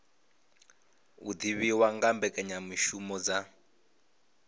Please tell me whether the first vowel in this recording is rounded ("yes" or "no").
yes